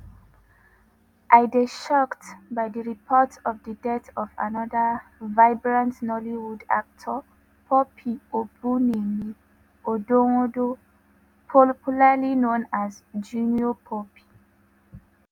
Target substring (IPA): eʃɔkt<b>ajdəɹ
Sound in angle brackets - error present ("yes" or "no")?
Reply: no